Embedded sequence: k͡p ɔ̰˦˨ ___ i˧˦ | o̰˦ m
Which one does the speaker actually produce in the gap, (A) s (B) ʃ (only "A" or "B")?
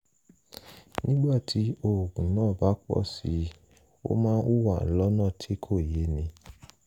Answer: A